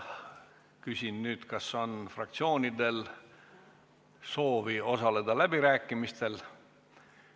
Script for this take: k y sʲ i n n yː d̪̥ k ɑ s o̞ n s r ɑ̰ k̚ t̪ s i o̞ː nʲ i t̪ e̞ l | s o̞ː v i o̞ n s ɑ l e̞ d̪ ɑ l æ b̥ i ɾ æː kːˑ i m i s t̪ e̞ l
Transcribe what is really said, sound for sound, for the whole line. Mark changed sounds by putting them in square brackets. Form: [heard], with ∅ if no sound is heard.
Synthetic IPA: k y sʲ i n n yː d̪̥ k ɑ s o̞ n [f] r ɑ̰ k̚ t̪ s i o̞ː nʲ i [d̪] e̞ l | s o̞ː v i o̞ [∅] s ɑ l e̞ d̪ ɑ l æ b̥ i ɾ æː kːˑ i m i s t̪ e̞ l